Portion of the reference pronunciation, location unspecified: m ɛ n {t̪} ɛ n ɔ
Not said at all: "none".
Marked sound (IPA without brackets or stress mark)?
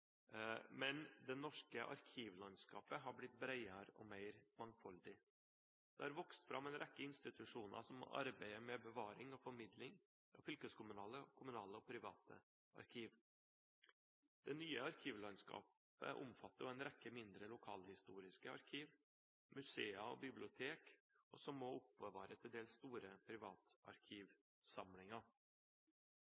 d̪